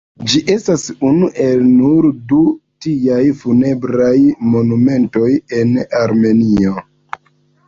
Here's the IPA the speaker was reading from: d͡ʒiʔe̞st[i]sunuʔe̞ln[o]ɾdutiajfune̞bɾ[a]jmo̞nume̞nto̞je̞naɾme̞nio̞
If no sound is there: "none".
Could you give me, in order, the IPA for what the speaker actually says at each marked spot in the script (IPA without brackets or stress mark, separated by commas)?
a, u, a